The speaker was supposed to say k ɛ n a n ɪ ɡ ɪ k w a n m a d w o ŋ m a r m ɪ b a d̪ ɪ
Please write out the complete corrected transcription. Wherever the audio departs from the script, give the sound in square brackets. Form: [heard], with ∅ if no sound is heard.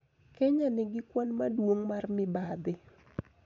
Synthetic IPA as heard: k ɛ [ɲ] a n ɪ ɡ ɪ k w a n m a d w o ŋ m a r m ɪ b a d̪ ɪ